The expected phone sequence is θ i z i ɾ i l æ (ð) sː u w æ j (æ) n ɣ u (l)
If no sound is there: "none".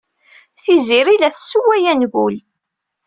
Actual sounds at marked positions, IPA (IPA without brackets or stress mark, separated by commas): θ, æ, l